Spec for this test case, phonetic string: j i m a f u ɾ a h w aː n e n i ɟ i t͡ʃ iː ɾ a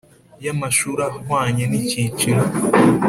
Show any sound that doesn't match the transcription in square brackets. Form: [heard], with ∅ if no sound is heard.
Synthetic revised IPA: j [a] m a [ʃ] u ɾ a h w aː [ɲ] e n i [c] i t͡ʃ [i] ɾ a